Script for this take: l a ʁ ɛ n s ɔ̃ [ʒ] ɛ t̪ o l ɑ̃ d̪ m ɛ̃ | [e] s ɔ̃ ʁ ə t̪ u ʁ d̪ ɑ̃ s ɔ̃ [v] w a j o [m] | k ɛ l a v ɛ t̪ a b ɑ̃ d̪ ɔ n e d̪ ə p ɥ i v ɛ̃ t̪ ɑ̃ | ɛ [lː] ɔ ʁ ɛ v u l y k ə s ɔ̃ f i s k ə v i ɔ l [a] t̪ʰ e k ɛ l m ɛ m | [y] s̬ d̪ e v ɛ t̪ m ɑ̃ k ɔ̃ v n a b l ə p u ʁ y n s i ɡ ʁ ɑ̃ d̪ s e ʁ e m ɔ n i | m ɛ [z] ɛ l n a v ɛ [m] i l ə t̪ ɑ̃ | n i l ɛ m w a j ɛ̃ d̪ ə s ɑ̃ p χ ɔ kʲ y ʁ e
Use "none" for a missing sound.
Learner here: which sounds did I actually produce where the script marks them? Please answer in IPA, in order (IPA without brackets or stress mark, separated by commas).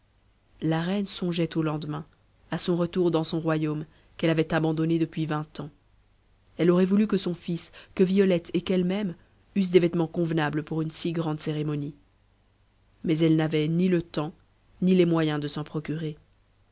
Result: ʒ, a, ʁ, m, l, ɛ, y, z, n